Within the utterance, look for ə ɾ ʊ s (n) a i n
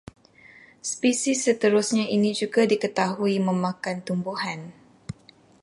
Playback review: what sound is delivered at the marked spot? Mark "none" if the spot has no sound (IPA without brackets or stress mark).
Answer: ɲ